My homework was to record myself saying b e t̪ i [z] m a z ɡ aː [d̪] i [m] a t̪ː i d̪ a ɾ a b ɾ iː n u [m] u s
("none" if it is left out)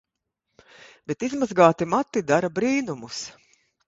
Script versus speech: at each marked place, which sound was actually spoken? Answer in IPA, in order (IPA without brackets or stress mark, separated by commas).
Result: z, t̪, m, m